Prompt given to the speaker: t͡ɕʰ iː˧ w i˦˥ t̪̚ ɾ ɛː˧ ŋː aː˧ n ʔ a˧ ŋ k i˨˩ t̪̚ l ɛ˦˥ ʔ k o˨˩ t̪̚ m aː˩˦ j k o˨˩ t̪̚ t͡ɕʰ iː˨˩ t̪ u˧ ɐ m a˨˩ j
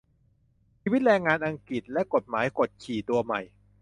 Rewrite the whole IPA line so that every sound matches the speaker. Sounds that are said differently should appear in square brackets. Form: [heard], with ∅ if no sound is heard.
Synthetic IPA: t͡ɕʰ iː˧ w i˦˥ t̪̚ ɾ ɛː˧ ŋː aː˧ n ʔ a˧ ŋ k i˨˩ t̪̚ l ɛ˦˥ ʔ k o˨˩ t̪̚ m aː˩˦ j k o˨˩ t̪̚ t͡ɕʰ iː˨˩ t̪ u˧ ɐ m a˨˩ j